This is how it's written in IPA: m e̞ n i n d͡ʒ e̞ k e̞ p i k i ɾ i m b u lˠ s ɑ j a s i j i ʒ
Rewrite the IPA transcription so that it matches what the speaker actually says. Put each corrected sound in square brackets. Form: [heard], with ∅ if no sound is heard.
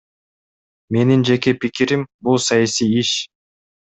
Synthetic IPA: m e̞ n i n d͡ʒ e̞ k e̞ p i k i ɾ i m b u lˠ s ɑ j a s i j i [ʃ]